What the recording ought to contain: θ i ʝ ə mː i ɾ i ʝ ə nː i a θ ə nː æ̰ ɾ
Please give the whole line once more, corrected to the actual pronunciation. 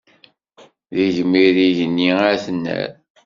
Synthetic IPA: ð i ʝ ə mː i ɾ i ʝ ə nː i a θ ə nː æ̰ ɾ